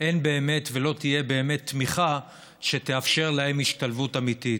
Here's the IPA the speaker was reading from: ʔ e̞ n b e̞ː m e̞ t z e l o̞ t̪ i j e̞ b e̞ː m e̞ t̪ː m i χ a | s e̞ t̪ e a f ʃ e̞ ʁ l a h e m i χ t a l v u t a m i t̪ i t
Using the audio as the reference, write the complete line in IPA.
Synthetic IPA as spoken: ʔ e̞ n b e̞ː m e̞ t v e l o̞ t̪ i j e̞ b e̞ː m e̞ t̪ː m i χ a | ʃ e̞ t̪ e a f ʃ e̞ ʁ l a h e m i ʃ t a l v u t a m i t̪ i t